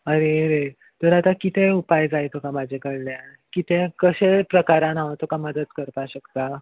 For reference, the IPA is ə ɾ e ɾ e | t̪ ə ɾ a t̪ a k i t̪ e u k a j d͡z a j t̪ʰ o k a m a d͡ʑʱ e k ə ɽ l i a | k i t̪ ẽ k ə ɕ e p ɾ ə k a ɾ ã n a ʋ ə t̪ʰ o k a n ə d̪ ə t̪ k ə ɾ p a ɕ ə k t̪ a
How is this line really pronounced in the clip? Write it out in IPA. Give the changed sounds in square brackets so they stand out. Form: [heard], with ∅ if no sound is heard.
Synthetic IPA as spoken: ə ɾ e ɾ e | t̪ ə ɾ a t̪ a k i t̪ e u [p] a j d͡z a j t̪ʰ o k a m a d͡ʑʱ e k ə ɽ l [j] a | k i t̪ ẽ k ə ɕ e p ɾ ə k a ɾ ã n a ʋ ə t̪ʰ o k a [m] ə d̪ ə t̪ k ə ɾ p a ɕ ə k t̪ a